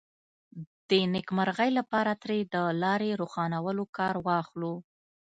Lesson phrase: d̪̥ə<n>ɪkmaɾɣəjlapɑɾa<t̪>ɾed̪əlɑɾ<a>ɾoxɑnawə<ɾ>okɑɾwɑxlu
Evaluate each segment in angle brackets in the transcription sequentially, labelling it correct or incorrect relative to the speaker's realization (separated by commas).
correct, correct, incorrect, incorrect